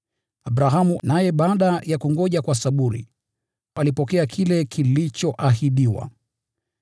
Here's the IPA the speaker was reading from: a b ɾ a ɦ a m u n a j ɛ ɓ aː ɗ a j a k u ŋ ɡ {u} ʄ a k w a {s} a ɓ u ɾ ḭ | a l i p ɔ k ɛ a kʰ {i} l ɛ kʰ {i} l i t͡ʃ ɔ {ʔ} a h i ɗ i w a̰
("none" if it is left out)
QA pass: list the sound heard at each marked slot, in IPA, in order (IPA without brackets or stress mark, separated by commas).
ɔ, s, i, i, ʔ